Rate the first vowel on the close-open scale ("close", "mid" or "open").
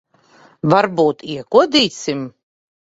open